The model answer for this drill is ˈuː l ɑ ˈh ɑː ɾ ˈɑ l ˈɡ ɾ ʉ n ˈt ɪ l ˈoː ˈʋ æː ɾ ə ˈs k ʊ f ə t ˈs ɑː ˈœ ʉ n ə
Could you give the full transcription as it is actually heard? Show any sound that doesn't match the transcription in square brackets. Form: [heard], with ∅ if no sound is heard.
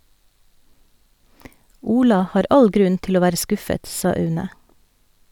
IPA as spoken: ˈuː l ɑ ˈh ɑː ɾ ˈɑ l ˈɡ ɾ ʉ n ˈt ɪ l ˈoː ˈʋ æː ɾ ə ˈs k ʊ f ə t ˈs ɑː ˈœ ʉ n ə